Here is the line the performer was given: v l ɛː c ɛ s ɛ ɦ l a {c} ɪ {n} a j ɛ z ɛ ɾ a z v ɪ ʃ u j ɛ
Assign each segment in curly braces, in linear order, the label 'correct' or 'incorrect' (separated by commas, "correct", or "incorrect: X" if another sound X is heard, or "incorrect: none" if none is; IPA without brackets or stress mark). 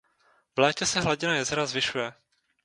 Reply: incorrect: ɟ, correct